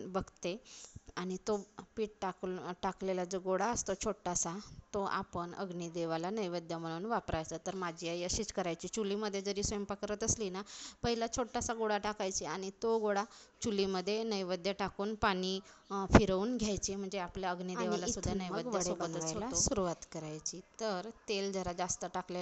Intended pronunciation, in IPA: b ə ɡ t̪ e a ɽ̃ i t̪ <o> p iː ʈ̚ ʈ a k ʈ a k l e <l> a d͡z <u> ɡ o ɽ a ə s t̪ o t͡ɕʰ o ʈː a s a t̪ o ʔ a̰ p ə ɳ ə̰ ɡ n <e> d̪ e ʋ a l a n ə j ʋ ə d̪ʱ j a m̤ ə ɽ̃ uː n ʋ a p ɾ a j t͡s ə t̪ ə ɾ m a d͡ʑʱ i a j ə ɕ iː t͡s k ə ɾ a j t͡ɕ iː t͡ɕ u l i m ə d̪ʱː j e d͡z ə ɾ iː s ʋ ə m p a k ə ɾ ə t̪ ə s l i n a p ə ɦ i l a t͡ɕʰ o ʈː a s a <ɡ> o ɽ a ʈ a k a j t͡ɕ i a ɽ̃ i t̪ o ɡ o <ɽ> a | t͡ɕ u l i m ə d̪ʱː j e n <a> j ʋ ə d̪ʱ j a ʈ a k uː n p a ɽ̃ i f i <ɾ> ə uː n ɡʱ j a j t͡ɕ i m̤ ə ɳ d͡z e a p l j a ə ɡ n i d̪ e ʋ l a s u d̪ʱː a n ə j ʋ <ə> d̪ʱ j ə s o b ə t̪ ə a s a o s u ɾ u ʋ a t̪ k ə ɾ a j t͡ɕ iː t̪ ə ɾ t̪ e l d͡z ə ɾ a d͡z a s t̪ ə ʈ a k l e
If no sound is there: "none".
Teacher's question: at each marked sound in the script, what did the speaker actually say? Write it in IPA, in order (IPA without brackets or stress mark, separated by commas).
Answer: o, l, o, i, ɡ, ɽ, ə, ɾ, ə